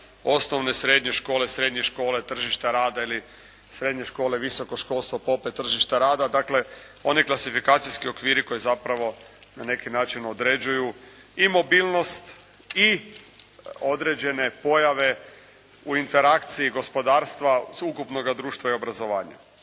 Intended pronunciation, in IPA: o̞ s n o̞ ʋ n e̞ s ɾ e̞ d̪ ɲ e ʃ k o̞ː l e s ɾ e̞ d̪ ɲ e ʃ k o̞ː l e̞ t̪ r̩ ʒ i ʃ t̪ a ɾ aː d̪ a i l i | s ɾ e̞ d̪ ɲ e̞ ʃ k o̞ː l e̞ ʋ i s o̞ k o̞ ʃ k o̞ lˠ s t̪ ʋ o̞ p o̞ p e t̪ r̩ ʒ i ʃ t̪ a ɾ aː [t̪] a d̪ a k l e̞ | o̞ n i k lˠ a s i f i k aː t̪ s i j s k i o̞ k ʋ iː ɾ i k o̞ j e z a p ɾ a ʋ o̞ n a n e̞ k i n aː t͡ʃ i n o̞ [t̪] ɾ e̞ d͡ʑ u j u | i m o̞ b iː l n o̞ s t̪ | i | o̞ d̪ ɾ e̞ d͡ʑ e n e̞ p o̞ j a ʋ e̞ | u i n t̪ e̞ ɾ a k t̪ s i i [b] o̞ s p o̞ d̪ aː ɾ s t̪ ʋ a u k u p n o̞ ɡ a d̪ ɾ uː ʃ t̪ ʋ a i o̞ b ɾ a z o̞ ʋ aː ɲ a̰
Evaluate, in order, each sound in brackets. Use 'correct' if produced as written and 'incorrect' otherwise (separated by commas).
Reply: incorrect, incorrect, incorrect